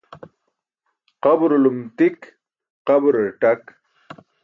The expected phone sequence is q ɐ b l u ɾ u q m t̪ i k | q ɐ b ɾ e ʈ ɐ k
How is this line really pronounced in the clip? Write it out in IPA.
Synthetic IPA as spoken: q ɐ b ɾ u l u m t̪ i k | q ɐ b ɾ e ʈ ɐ k